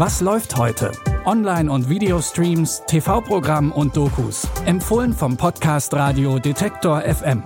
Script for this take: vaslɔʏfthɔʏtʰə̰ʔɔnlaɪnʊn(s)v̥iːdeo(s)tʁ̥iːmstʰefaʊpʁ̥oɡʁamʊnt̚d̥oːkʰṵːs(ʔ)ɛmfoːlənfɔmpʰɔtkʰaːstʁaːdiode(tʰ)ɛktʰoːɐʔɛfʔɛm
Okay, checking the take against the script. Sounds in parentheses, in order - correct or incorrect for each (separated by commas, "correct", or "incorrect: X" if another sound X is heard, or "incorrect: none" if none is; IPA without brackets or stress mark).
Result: incorrect: t, correct, correct, correct